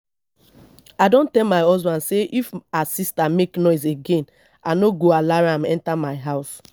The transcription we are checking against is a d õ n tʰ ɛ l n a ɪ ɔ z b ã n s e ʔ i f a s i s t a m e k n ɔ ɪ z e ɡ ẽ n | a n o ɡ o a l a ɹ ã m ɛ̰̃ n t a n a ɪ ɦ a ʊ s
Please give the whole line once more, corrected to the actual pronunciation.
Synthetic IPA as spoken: a d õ n t ɛ l m a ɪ ɔ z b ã n s e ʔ i f a s i s t a m e k n ɔ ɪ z e ɡ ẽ n | a n o ɡ o a l a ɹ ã m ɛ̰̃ n t a m a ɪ ɦ a ʊ s